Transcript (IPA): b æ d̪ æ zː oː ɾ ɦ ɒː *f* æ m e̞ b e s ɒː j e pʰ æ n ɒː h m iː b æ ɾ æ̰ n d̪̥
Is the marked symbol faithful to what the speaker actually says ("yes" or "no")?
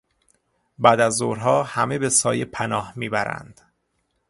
no